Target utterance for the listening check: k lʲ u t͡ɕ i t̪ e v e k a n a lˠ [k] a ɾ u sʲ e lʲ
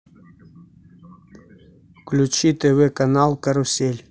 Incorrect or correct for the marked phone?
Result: correct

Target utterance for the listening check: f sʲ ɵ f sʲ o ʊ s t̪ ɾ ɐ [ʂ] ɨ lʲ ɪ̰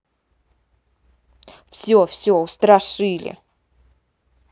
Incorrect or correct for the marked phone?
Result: correct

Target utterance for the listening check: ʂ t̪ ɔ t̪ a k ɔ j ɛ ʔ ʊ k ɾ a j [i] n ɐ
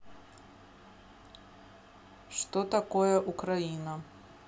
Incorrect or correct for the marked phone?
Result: correct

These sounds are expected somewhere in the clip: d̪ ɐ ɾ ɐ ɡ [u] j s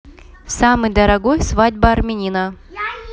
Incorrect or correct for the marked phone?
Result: incorrect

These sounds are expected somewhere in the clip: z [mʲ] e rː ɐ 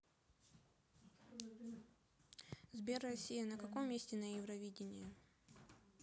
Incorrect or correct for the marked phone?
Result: incorrect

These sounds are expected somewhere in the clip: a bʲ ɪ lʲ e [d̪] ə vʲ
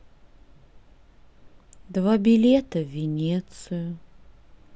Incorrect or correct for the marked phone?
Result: incorrect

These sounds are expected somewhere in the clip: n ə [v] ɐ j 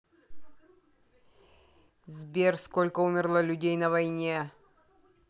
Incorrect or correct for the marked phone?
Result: correct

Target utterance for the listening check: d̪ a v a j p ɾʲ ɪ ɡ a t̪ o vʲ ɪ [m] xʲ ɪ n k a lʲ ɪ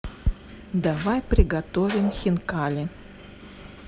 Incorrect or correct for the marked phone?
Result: correct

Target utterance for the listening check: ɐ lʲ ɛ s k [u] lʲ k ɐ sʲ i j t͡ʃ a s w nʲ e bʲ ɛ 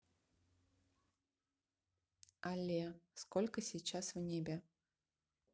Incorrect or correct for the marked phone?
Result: incorrect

